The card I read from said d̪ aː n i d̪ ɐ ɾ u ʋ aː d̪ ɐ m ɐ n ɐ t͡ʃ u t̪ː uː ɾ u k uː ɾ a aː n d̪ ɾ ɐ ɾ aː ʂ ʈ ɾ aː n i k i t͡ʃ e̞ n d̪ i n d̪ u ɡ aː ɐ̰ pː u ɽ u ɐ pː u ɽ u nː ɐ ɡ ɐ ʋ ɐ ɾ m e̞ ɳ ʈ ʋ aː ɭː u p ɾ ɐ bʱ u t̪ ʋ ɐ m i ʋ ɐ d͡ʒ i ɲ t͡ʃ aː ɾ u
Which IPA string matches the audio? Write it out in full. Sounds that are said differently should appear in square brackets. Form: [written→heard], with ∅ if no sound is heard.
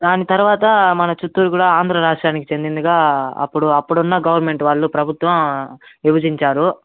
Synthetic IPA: d̪ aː n i [d̪→t̪] ɐ ɾ u ʋ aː [d̪→t̪] ɐ m ɐ n ɐ t͡ʃ u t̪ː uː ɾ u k uː [ɾ→ɽ] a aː n d̪ ɾ ɐ ɾ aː ʂ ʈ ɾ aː n i k i t͡ʃ e̞ n d̪ i n d̪ u ɡ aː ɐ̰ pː u ɽ u ɐ pː u ɽ u nː ɐ ɡ ɐ ʋ ɐ ɾ m e̞ ɳ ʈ ʋ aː ɭː u p ɾ ɐ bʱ u t̪ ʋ ɐ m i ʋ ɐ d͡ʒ i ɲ t͡ʃ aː ɾ u